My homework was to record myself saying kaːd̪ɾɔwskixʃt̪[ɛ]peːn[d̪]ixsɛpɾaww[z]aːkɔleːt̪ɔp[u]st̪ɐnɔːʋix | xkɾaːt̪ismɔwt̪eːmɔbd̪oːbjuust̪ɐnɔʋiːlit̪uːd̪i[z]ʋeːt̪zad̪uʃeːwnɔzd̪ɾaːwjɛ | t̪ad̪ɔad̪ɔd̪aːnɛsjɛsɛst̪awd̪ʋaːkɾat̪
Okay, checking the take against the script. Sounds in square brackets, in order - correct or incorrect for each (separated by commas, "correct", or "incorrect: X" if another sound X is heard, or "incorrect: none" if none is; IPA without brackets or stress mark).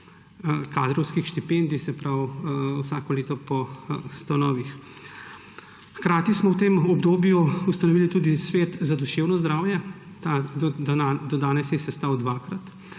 incorrect: i, correct, incorrect: s, incorrect: ɔ, incorrect: s